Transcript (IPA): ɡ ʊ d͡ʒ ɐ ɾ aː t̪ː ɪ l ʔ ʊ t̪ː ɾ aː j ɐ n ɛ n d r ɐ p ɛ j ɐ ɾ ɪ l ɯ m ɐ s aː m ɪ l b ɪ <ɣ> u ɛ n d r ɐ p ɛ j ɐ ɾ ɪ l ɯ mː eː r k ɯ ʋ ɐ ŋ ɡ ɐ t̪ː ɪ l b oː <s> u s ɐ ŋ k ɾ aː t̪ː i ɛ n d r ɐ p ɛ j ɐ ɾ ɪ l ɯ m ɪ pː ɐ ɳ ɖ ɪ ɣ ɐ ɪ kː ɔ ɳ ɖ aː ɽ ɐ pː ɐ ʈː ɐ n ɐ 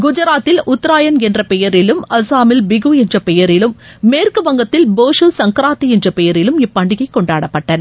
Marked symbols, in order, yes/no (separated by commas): yes, no